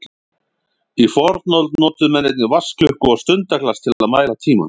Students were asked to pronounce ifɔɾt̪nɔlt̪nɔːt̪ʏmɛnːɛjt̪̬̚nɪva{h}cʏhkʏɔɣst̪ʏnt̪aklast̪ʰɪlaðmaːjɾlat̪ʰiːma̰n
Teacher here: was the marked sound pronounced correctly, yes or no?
no